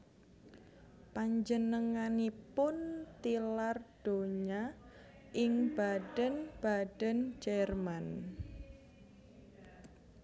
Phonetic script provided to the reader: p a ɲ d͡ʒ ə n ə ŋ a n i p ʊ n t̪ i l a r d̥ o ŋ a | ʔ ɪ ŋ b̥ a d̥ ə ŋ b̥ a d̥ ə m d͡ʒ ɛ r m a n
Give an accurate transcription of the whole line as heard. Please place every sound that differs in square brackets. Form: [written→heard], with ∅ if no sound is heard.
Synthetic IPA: p a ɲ d͡ʒ ə n ə ŋ a n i p ʊ n t̪ i l a r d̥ o [ŋ→ɲ] a | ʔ ɪ ŋ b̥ a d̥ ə [ŋ→n] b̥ a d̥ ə [m→n] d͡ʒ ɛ r m a n